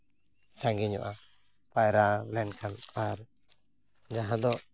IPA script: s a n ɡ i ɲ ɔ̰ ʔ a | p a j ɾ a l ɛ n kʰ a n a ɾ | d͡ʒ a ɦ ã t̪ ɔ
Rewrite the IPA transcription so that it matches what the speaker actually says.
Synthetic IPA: s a ŋ ɡ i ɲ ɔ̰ ʔ a | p a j ɾ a l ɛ n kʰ a n a ɾ | d͡ʒ a ɦ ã d̪ ɔ